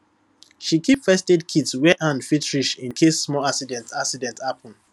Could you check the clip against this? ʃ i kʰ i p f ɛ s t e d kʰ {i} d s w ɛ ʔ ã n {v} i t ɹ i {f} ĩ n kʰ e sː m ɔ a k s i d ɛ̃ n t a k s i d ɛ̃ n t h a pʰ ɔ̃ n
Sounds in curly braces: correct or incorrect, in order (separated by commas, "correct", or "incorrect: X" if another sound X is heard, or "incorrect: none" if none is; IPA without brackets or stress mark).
correct, incorrect: f, incorrect: ʃ